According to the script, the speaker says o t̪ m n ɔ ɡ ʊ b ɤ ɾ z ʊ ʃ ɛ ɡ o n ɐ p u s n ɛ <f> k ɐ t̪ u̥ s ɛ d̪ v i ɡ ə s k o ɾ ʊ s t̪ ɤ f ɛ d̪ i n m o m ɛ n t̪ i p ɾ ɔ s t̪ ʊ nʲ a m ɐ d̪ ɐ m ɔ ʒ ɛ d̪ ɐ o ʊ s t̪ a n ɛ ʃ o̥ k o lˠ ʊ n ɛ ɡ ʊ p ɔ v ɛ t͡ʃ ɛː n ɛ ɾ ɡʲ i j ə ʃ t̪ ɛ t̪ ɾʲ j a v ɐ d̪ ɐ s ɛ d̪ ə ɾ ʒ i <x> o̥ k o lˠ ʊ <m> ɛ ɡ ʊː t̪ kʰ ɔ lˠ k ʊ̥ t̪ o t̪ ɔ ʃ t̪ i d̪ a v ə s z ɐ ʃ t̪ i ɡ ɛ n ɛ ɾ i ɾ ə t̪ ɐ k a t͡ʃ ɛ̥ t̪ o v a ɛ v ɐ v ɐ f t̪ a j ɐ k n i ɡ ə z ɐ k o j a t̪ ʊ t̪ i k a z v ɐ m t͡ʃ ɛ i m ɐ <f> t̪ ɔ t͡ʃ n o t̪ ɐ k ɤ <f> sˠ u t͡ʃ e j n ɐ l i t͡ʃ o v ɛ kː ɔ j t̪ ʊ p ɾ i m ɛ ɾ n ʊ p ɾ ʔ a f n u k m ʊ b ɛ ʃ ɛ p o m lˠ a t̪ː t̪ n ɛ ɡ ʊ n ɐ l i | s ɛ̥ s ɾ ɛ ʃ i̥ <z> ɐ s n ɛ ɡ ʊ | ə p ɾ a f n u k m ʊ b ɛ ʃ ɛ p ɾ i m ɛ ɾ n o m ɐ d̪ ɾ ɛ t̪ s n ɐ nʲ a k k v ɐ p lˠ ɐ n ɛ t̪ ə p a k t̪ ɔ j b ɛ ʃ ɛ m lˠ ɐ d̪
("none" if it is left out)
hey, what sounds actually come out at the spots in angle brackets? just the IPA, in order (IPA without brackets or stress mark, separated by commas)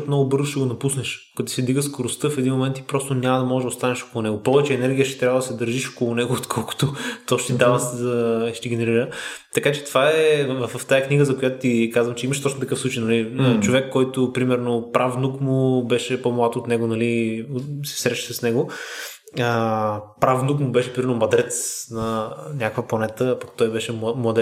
ʃ, ʃ, n, ʃ, f, s